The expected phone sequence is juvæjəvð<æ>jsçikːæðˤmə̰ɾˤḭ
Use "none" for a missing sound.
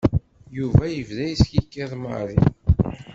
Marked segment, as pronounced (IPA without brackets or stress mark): æ